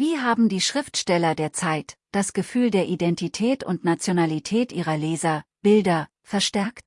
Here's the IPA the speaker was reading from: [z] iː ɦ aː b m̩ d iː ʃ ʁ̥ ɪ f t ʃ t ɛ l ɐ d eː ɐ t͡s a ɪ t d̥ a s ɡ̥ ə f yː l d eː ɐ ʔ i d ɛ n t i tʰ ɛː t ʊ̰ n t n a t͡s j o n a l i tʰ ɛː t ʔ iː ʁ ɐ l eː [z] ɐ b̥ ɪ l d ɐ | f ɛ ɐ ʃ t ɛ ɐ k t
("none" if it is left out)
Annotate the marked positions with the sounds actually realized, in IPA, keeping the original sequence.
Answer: v, z

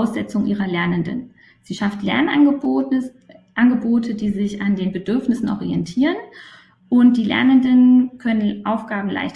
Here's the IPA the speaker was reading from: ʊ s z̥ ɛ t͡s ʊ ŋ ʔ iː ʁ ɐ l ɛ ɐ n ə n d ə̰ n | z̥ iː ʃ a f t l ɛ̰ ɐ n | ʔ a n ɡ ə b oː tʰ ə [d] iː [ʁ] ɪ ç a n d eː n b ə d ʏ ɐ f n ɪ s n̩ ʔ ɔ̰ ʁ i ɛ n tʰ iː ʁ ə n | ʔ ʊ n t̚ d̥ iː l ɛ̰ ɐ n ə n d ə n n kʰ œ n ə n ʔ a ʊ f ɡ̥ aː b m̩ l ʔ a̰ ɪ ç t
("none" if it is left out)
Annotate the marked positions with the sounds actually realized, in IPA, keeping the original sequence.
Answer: d, z

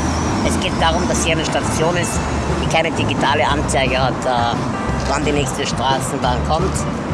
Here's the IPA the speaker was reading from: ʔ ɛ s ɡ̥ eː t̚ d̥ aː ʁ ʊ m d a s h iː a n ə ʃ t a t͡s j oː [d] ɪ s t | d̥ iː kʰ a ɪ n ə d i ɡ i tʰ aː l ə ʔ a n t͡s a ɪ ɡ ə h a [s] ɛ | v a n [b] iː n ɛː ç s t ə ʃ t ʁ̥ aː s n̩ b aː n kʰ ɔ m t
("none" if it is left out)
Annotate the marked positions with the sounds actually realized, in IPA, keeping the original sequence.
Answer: n, t, d

